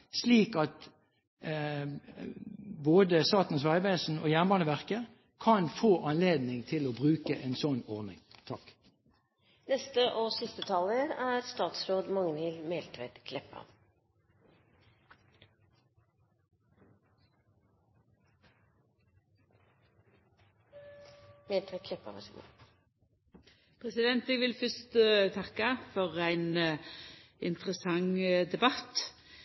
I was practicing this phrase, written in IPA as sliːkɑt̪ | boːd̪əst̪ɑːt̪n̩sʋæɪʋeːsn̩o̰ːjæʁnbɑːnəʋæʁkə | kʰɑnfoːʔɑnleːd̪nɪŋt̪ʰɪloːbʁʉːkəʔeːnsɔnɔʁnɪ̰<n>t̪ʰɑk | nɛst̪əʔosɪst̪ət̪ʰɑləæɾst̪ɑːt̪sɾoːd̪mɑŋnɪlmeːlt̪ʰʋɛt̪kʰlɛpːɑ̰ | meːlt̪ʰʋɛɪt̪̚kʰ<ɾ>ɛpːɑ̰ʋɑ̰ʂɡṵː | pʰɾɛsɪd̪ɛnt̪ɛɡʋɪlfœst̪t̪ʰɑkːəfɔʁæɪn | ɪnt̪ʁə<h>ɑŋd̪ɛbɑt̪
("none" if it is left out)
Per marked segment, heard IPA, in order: ŋ, l, s

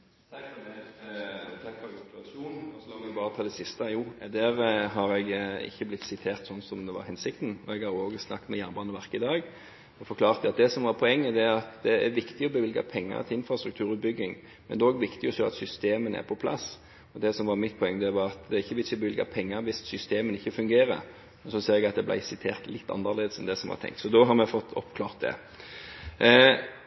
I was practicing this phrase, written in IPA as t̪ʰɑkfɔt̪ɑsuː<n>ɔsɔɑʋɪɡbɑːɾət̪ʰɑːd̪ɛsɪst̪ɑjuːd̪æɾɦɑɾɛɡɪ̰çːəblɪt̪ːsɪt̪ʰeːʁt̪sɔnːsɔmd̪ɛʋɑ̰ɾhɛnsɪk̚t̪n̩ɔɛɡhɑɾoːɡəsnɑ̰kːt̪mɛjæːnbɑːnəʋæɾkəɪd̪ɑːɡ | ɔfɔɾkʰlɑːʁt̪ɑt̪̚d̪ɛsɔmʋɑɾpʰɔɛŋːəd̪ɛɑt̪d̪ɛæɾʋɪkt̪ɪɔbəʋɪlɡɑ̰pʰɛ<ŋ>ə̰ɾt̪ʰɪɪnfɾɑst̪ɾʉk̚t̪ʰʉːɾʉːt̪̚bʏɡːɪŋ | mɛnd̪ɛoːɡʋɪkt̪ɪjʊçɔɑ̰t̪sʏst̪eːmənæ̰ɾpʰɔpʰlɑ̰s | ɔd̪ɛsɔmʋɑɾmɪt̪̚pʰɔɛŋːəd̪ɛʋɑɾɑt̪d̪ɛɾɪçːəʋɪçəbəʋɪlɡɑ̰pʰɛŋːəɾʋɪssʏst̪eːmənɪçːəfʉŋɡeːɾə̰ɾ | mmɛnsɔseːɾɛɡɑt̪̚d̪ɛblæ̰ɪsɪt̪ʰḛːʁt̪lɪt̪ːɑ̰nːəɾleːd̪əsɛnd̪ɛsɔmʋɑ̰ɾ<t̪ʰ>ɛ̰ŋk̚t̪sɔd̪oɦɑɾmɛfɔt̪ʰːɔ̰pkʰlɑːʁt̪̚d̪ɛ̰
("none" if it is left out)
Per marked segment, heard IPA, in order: n, ŋː, t̪ʰ

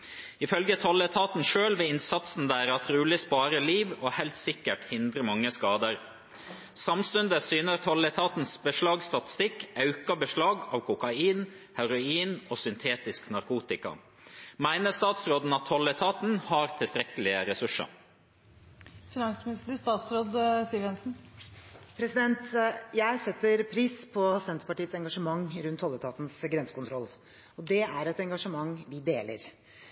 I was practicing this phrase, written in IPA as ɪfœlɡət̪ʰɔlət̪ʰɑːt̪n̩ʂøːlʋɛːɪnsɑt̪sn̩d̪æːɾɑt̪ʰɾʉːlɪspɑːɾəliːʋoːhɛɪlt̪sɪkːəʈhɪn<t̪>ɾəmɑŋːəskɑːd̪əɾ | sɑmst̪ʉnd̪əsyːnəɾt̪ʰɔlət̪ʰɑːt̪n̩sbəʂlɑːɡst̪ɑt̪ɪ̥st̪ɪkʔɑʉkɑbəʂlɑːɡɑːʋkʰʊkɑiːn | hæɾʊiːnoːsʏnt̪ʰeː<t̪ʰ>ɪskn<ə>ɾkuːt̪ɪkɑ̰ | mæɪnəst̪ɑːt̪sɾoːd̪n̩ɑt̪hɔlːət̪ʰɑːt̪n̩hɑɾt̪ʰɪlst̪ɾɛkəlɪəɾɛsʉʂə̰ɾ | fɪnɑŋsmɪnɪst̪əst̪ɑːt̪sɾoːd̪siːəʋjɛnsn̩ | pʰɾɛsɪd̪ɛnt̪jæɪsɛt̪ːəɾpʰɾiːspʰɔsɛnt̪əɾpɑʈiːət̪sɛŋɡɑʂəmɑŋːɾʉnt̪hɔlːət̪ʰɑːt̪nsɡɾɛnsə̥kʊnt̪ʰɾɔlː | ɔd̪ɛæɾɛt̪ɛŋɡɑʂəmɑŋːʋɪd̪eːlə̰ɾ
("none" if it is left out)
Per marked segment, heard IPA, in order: d̪, t̪, ɑ

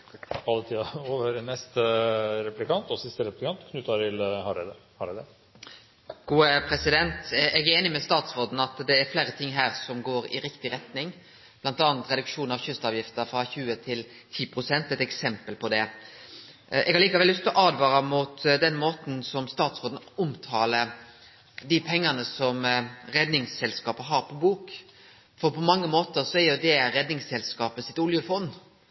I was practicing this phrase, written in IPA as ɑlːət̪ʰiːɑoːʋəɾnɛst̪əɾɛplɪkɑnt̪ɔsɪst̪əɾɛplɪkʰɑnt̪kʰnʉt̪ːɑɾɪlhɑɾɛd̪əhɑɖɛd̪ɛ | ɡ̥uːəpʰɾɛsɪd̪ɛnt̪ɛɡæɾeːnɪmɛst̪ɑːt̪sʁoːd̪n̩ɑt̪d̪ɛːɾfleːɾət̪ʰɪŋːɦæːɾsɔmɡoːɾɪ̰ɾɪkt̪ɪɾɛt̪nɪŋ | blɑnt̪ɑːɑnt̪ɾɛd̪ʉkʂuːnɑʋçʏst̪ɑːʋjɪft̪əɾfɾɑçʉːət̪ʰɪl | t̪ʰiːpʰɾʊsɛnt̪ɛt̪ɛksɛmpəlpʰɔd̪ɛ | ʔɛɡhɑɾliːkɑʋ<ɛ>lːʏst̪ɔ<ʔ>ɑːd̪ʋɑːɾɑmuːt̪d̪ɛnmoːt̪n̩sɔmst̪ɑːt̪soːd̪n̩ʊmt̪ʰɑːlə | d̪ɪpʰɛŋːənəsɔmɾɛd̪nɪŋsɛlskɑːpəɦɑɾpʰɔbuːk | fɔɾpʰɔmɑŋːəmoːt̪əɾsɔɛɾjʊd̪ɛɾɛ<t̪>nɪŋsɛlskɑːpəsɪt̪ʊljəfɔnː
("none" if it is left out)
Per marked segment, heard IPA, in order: ɛ, ʔ, d̪

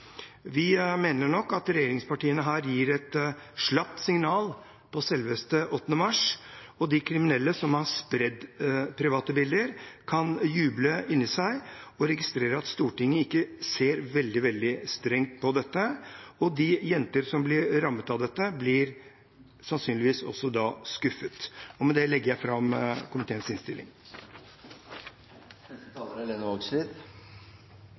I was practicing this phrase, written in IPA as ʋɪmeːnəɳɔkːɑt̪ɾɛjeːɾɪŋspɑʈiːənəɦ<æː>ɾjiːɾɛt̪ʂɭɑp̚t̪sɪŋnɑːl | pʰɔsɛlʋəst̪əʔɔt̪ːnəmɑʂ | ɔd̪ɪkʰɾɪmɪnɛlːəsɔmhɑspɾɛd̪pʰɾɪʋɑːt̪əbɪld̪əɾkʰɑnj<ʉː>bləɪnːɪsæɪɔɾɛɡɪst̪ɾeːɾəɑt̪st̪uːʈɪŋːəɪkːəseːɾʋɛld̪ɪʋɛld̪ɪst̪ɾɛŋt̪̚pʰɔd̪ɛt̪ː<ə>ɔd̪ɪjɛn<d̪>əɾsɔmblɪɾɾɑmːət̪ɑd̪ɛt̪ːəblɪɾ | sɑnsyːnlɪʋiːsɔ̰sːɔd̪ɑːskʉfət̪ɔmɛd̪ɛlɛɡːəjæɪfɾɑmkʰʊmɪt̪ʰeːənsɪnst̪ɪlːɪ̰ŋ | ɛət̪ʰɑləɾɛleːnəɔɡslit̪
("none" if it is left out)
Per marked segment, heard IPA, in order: æː, ʉː, ə, t̪

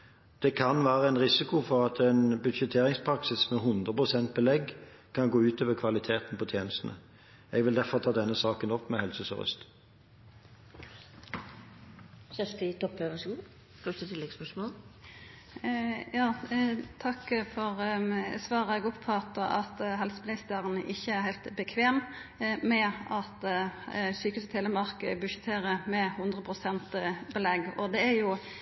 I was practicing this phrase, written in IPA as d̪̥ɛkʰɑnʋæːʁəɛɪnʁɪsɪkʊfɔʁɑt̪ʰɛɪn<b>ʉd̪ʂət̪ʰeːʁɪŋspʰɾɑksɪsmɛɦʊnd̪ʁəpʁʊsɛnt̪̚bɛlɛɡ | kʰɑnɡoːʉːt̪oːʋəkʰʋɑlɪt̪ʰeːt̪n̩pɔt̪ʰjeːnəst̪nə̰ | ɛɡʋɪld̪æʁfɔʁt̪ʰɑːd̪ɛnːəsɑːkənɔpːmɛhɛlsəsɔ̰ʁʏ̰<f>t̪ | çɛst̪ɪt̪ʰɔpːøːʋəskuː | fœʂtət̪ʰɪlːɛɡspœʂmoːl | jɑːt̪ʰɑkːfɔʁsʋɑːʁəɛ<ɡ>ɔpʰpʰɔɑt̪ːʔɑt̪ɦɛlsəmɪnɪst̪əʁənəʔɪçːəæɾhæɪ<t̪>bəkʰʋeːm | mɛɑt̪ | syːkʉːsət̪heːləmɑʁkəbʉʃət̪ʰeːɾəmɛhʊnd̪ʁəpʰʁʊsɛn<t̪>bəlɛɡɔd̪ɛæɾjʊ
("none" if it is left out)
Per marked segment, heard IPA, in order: b, s, ɡ, t̪, t̪

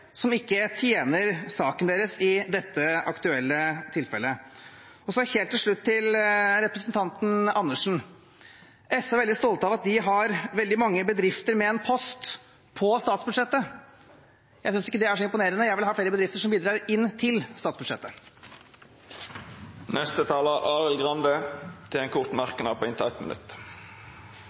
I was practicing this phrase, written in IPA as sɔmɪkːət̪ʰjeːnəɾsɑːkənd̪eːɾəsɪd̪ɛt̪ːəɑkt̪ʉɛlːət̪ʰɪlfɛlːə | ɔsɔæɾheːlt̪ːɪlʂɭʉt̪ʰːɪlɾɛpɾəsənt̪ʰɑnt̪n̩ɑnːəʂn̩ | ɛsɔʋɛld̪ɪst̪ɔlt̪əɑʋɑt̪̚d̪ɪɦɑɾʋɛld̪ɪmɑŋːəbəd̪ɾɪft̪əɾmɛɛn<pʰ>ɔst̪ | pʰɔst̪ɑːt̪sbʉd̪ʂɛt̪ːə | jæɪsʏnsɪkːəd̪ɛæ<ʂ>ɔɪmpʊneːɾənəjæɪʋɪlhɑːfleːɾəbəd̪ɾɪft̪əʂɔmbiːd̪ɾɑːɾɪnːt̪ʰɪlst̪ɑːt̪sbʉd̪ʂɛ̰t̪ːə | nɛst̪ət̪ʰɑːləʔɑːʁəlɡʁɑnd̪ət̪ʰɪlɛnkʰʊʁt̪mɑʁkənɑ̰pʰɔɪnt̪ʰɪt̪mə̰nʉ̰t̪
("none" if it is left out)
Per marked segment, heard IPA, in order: pʰ, ʂ

